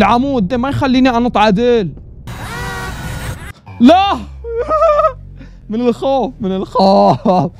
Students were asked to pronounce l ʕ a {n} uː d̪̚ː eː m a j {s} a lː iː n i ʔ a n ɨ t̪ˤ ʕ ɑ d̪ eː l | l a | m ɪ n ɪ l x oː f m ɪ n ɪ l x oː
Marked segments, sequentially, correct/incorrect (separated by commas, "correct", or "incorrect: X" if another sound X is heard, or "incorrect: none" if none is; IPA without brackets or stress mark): incorrect: m, incorrect: x